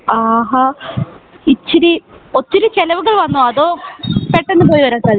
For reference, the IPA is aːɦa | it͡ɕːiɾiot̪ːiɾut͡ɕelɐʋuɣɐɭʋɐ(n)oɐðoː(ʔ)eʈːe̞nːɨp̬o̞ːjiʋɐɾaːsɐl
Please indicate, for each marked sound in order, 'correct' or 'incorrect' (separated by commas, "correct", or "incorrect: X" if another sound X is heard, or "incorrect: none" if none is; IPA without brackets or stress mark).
incorrect: nː, incorrect: p